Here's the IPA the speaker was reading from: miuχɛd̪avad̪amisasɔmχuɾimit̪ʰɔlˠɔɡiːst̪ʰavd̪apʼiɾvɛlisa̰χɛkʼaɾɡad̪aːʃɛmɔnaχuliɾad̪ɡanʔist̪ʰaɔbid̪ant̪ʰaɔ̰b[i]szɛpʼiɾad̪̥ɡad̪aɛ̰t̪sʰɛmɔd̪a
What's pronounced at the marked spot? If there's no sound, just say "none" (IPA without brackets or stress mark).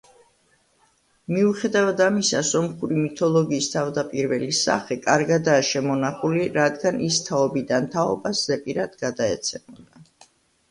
a